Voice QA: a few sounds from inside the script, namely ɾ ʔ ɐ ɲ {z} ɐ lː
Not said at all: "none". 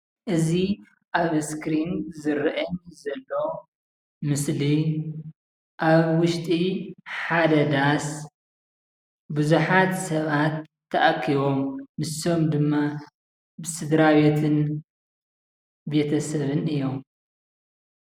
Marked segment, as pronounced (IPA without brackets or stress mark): z